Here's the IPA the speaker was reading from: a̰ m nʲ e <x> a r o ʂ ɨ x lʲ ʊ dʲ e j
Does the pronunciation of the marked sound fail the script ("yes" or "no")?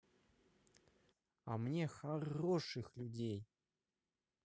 no